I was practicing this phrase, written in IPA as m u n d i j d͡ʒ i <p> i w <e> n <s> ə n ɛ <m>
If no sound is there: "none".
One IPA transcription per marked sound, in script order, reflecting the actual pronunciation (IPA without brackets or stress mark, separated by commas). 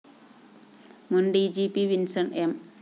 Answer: p, i, s, m